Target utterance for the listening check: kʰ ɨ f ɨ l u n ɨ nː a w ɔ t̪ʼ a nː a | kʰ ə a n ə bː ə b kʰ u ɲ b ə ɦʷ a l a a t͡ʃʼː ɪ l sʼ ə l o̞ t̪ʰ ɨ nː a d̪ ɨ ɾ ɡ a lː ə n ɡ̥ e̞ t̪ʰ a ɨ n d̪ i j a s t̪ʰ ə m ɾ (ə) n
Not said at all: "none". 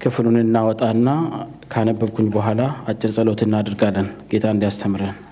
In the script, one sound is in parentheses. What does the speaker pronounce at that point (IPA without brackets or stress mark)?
ə